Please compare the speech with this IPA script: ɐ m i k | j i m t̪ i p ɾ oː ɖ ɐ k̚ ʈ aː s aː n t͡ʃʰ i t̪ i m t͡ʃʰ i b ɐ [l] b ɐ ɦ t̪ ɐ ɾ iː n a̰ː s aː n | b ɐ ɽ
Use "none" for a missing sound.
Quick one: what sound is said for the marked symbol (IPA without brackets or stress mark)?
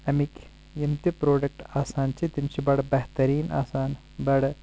ɽ